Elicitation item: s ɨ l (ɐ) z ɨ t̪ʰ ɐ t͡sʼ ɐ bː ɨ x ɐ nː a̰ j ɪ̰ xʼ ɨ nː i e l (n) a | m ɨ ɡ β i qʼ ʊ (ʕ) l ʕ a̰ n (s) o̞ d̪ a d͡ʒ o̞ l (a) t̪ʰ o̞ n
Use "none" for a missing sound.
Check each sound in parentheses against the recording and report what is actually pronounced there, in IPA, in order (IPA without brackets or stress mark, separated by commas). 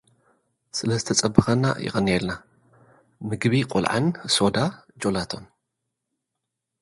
ɐ, n, none, s, a